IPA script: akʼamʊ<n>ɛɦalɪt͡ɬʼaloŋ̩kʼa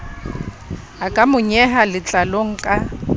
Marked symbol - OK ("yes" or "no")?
no